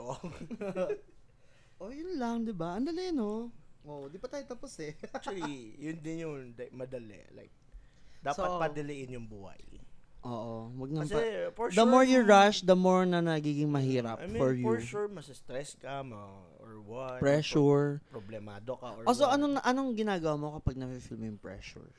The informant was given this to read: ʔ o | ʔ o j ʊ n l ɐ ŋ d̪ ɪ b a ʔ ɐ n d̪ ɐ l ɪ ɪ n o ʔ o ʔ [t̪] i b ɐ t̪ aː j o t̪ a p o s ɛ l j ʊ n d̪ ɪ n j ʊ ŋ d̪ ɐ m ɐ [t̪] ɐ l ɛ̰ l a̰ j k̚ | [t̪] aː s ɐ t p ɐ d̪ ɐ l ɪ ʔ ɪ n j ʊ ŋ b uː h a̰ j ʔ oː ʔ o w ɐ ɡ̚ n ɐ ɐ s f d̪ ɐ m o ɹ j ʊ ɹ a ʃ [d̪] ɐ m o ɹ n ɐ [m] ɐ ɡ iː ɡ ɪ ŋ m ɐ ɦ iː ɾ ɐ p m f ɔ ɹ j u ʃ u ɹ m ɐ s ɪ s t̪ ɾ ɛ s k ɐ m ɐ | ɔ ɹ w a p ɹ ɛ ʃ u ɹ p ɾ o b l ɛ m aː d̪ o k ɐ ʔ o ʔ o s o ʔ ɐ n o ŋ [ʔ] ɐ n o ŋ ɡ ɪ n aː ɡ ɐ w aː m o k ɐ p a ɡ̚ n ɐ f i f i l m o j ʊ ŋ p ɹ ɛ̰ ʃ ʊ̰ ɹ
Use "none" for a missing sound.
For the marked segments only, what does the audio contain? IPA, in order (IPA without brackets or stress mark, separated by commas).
d̪, d̪, d̪, d̪, n, ʔ